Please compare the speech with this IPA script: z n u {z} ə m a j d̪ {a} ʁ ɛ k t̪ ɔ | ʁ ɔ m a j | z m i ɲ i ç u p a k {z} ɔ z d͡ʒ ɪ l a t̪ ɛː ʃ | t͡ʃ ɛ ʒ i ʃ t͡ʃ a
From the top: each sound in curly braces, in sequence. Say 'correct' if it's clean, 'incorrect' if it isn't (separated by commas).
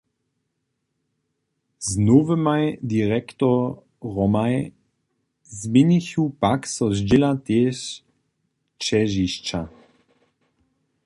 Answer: incorrect, incorrect, incorrect